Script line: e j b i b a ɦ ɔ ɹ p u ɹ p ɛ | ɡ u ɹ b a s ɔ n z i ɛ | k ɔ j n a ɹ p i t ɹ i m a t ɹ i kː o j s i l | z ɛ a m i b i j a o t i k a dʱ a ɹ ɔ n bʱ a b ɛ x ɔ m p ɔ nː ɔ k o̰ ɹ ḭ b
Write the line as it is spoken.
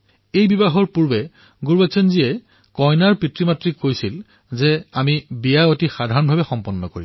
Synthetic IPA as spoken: e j b i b a ɦ ɔ ɹ p u ɹ b ɛ | ɡ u ɹ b a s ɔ n z i ɛ | k ɔ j n a ɹ p i t ɹ i m a t ɹ i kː o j s i l | z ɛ a m i b i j a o t i x a dʱ a ɹ ɔ n bʱ a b ɛ x ɔ m p ɔ nː ɔ k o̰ ɹ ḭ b